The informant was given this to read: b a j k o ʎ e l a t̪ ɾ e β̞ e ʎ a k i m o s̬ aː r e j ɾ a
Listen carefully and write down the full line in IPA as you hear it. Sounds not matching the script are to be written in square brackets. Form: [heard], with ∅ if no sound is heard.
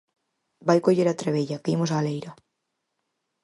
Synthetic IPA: b a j k o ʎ e [ɾ] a t̪ ɾ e β̞ e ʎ a k i m o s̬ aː [l] e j ɾ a